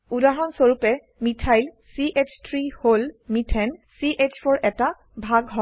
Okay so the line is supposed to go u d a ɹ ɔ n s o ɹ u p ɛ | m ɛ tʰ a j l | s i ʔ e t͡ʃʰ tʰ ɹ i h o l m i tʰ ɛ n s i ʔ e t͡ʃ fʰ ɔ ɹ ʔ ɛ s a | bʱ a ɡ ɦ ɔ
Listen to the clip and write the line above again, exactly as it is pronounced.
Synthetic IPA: u d a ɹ ɔ n s o ɹ u p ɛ | m i tʰ a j l | s i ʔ e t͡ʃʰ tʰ ɹ i h o l m i tʰ ɛ n s i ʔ e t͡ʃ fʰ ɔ ɹ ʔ ɛ t a | bʱ a ɡ ɦ ɔ